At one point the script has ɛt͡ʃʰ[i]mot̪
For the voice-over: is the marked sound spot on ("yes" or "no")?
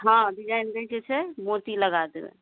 no